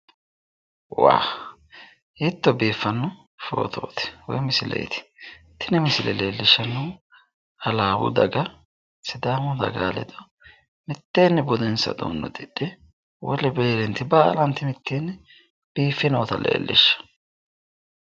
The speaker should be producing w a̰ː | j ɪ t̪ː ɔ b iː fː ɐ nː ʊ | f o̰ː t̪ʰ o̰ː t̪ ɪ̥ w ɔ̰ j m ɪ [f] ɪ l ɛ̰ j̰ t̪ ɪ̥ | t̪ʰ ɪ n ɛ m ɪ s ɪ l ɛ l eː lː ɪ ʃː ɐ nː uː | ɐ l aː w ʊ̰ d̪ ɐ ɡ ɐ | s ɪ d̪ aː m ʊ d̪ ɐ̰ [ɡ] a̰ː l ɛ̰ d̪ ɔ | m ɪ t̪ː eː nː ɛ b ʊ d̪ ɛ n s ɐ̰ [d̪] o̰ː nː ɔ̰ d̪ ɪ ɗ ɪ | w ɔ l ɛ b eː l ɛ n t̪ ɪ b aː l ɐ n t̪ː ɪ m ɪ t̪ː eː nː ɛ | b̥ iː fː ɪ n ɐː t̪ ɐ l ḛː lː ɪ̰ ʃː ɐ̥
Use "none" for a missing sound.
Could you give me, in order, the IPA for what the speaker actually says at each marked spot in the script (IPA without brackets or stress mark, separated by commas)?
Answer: s, ɡ, d̪